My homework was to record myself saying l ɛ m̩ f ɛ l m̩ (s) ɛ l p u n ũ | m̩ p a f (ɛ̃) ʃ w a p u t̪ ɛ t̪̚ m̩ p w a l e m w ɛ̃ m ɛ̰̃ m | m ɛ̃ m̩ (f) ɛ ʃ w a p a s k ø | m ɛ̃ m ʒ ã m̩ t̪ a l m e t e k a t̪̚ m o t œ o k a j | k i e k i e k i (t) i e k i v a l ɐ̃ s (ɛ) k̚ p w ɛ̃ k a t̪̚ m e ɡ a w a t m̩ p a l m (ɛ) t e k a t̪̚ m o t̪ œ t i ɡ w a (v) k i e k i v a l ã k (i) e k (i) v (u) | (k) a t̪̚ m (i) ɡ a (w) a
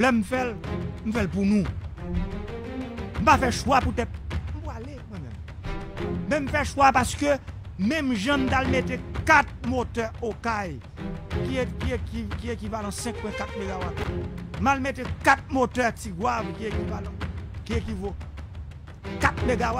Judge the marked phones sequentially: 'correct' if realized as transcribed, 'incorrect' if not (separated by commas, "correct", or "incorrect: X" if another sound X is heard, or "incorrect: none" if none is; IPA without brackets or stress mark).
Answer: incorrect: f, incorrect: ɛ, correct, incorrect: k, incorrect: ɛ̃, incorrect: e, correct, correct, correct, incorrect: o, correct, incorrect: e, correct